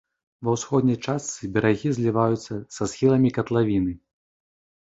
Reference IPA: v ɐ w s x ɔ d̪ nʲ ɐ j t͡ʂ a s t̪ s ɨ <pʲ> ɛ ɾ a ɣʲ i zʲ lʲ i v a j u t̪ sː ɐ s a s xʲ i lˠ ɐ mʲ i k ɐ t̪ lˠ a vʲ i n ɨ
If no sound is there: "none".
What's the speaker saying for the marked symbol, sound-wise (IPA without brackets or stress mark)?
bʲ